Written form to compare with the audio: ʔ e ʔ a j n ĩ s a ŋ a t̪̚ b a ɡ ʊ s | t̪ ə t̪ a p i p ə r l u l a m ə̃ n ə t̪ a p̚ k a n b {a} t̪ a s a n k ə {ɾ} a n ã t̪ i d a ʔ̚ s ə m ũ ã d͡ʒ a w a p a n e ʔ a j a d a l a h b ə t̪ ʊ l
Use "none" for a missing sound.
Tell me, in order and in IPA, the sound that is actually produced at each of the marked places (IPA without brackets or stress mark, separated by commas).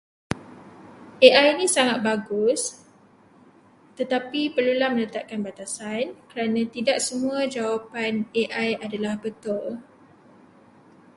a, ɾ